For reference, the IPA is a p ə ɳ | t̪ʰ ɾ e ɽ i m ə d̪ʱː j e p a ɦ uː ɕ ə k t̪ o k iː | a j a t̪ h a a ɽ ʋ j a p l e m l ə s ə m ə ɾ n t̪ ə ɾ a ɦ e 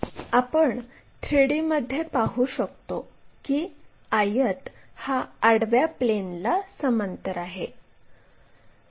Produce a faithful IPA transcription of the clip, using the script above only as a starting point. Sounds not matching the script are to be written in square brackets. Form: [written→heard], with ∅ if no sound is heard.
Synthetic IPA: a p ə ɳ | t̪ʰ ɾ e ɽ i m ə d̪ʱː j e p a ɦ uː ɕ ə k t̪ o k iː | a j [a→ə] t̪ h a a ɽ ʋ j a p l e [m→n] l [ə→a] s ə m ə [ɾ→∅] n t̪ ə ɾ a ɦ e

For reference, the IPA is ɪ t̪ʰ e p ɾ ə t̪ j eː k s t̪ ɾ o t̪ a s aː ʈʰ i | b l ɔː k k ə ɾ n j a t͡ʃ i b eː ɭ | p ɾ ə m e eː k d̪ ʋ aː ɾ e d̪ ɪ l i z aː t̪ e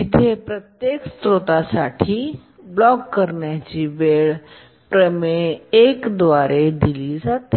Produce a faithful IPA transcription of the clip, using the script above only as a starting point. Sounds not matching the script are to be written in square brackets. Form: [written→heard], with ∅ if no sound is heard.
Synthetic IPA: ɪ t̪ʰ e p ɾ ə t̪ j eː k s t̪ ɾ o t̪ a s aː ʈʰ i | b l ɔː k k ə ɾ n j a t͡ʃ i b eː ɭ | p ɾ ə m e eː k d̪ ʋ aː ɾ e d̪ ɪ l i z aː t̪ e

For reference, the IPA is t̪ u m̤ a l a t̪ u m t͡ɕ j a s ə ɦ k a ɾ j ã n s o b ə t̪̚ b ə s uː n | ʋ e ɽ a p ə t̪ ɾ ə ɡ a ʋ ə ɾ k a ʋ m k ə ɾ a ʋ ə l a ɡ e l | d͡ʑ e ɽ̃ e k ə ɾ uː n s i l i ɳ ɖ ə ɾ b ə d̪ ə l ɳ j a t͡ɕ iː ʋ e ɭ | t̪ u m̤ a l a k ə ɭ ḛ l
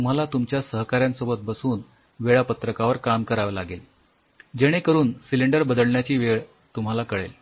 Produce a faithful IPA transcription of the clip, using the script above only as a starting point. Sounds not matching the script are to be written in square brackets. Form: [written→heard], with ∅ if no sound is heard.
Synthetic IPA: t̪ u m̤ a l a t̪ u m t͡ɕ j a s ə ɦ k a ɾ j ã n s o b ə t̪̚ b ə s uː n | ʋ e [ɽ→ɭ] a p ə t̪ ɾ ə [ɡ→k] a ʋ ə ɾ k a [ʋ→∅] m k ə ɾ a ʋ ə l a ɡ e l | d͡ʑ e ɽ̃ e k ə ɾ uː n s i l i ɳ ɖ ə ɾ b ə d̪ ə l ɳ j a t͡ɕ iː ʋ e ɭ | t̪ u m̤ a l a k ə ɭ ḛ l

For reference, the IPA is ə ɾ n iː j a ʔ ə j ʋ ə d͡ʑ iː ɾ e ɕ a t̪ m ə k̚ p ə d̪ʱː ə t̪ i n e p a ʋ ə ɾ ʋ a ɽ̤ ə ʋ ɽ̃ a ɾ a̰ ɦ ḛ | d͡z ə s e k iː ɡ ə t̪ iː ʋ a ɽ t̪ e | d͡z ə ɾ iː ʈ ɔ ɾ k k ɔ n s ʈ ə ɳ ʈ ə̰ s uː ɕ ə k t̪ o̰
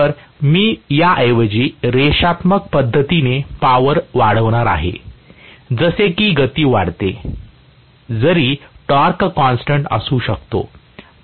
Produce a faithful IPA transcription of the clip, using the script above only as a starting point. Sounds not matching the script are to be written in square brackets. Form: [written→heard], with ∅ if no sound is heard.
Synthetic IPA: ə ɾ [n→m] iː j a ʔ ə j ʋ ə d͡ʑ iː ɾ e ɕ a t̪ m ə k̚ p ə d̪ʱː ə t̪ i n e p a ʋ ə ɾ ʋ a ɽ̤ ə ʋ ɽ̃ a ɾ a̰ ɦ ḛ | d͡z ə s e k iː ɡ ə t̪ iː ʋ a ɽ t̪ e | d͡z ə ɾ iː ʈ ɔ ɾ k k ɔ n s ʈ ə ɳ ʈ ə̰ s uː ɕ ə k t̪ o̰

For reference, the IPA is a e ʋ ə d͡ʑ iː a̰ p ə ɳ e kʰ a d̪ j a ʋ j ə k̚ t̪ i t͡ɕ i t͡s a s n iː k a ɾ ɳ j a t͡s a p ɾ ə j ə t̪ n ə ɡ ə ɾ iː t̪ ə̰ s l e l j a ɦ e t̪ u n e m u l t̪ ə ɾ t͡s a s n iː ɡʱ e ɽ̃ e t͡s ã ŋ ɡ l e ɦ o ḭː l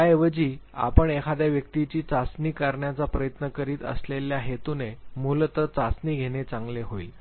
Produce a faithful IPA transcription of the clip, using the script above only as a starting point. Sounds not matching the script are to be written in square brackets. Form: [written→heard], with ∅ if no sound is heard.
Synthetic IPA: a e ʋ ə d͡ʑ iː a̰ p ə ɳ e kʰ a d̪ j a ʋ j ə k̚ t̪ i t͡ɕ [i→iː] t͡s a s n iː k a ɾ ɳ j a t͡s a p ɾ ə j ə t̪ n ə [ɡ→k] ə ɾ iː t̪ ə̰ s l e l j a ɦ e t̪ u n e m u l t̪ ə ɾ t͡s a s n iː ɡʱ e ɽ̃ e t͡s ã ŋ ɡ l e ɦ o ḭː l

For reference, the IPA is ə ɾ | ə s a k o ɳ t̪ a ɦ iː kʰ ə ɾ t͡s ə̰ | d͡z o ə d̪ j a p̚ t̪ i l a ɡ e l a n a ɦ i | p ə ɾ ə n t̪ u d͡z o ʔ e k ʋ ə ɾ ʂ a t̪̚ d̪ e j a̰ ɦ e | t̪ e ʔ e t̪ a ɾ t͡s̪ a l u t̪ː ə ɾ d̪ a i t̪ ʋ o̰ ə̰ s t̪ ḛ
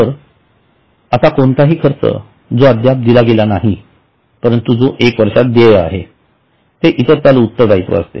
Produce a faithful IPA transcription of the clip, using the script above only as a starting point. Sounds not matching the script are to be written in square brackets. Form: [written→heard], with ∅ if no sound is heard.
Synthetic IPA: ə ɾ | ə s a k o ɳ t̪ a ɦ iː kʰ ə ɾ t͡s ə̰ | d͡z o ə d̪ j a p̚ [t̪→d̪] i l a ɡ e l a n a ɦ i | p ə ɾ ə n t̪ u d͡z o ʔ e k ʋ ə ɾ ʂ a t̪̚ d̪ e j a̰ ɦ e | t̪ e ʔ [e→i] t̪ [a→ə] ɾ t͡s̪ a l u t̪ː ə ɾ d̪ a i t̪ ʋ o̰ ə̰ s t̪ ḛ

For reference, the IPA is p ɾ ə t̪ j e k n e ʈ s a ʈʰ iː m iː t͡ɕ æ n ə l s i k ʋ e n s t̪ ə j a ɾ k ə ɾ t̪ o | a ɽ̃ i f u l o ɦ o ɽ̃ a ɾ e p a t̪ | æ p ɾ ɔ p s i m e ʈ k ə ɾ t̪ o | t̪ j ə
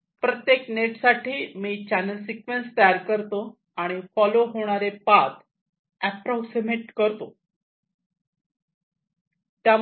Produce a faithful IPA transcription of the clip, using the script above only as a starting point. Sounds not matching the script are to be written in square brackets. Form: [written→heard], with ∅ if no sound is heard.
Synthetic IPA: p ɾ ə t̪ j e k n e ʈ s a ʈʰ iː m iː t͡ɕ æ n ə l s i k ʋ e n s t̪ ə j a ɾ k ə ɾ t̪ o | a ɽ̃ i f [u→ɔ] l o ɦ o ɽ̃ a ɾ e p a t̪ | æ p ɾ ɔ [p→k] s i m e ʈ k ə ɾ t̪ o | t̪ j [ə→a]

